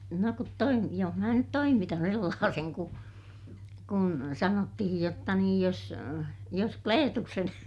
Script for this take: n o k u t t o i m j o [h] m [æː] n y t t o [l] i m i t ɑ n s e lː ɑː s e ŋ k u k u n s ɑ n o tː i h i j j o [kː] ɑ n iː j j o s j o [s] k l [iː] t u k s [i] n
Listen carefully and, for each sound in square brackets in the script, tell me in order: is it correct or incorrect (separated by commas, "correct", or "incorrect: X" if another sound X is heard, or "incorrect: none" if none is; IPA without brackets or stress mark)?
correct, correct, incorrect: none, incorrect: tː, correct, incorrect: eː, incorrect: e